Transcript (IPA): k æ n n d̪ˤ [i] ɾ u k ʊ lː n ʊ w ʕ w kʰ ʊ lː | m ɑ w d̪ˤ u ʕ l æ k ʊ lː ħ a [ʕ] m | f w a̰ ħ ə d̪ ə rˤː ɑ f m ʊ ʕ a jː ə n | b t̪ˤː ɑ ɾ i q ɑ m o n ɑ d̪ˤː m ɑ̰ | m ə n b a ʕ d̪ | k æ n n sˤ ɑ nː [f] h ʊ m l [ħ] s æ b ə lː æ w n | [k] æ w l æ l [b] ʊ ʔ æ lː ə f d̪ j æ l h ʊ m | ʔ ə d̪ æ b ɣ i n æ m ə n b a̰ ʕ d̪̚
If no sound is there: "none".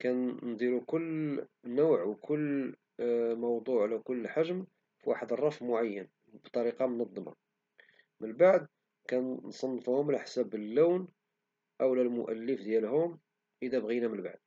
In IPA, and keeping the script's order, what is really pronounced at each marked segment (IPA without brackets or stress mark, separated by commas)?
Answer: i, ʒ, f, ħ, ʔ, m